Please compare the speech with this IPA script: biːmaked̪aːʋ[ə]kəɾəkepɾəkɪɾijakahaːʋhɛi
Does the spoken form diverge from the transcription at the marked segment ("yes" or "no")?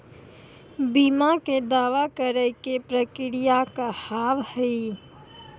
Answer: yes